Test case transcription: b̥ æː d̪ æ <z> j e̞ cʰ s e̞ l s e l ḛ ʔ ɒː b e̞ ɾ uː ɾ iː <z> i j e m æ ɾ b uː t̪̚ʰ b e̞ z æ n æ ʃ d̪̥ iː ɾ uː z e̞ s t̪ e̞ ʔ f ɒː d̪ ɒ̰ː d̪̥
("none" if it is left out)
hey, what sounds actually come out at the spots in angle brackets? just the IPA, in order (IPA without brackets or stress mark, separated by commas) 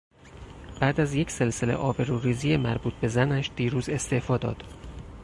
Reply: z, z